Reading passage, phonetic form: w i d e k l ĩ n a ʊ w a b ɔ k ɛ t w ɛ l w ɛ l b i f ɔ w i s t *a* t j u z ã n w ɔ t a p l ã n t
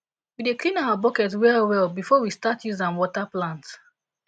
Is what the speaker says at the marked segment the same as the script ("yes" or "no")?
yes